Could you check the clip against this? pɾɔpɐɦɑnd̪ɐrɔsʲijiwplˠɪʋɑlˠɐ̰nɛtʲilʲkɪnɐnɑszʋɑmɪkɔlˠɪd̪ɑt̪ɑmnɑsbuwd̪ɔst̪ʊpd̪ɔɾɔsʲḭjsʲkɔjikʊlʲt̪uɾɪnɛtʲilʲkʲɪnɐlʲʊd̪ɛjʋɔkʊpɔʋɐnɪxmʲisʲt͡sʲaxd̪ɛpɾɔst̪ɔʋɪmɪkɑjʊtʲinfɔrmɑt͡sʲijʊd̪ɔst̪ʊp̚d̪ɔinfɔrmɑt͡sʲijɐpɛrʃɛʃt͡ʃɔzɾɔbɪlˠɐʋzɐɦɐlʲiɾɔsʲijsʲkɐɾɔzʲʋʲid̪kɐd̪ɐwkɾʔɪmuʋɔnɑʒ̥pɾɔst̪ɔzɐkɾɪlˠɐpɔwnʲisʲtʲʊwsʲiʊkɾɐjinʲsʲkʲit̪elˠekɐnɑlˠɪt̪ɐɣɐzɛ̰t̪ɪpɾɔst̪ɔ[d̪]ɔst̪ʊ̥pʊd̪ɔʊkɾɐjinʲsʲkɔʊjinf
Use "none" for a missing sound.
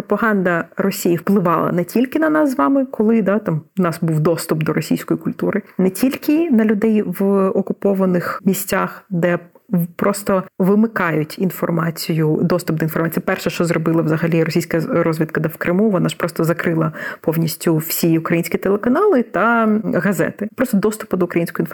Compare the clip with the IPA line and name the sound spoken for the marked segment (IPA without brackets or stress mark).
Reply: d̪